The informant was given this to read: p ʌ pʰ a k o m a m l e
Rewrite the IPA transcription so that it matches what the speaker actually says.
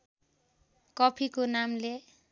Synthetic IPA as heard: k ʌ pʰ i k o n a m l e